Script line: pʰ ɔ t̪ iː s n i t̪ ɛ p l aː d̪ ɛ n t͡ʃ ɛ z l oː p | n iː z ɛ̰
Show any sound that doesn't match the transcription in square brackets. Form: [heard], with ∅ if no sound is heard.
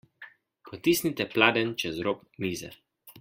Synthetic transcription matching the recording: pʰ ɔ t̪ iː s n i t̪ ɛ p l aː d̪ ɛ n t͡ʃ ɛ z [ɾ] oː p | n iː z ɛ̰